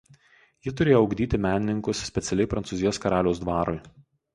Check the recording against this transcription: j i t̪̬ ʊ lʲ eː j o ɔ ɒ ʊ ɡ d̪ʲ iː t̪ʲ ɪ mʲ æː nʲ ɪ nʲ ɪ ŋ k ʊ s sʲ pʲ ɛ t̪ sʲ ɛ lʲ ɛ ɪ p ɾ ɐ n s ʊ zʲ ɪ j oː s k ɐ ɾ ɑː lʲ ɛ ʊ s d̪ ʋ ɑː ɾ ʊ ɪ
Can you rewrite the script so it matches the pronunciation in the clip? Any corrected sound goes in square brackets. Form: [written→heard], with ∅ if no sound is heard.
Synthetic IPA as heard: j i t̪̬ ʊ [lʲ→ɾʲ] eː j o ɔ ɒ ʊ ɡ d̪ʲ iː t̪ʲ ɪ mʲ æː nʲ ɪ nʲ ɪ ŋ k ʊ s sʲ pʲ ɛ t̪ sʲ ɛ lʲ ɛ ɪ p ɾ ɐ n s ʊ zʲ ɪ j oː s k ɐ ɾ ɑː lʲ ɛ ʊ s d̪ ʋ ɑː ɾ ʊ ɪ

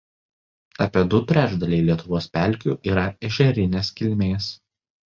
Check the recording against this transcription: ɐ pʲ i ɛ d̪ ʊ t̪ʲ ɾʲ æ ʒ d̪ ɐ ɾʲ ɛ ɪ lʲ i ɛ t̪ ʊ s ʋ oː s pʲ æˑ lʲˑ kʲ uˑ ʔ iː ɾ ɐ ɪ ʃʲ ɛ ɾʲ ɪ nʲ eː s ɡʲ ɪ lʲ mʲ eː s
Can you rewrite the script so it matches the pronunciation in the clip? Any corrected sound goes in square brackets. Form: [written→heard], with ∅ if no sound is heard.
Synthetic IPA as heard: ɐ pʲ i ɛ d̪ ʊ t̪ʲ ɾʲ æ ʒ d̪ ɐ [ɾʲ→lʲ] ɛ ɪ lʲ i ɛ t̪ ʊ [s→∅] ʋ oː s pʲ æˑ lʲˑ kʲ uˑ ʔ iː ɾ ɐ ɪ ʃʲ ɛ ɾʲ ɪ nʲ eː s [ɡʲ→kʲ] ɪ lʲ mʲ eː s

